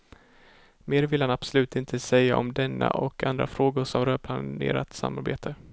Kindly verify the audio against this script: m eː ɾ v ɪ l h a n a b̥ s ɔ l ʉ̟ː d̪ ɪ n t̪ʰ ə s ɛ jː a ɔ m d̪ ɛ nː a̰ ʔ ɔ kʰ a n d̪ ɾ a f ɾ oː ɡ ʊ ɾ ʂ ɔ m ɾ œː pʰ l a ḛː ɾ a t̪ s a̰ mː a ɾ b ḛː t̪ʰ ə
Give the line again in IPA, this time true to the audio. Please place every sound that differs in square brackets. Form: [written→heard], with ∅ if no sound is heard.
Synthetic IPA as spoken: m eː ɾ v ɪ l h a n a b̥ s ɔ l ʉ̟ː [d̪→t̪] ɪ n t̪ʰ ə s ɛ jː a ɔ m d̪ ɛ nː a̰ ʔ ɔ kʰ a n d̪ ɾ a f ɾ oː ɡ ʊ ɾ ʂ ɔ m ɾ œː pʰ l a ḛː ɾ a t̪ s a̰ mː a ɾ b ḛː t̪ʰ ə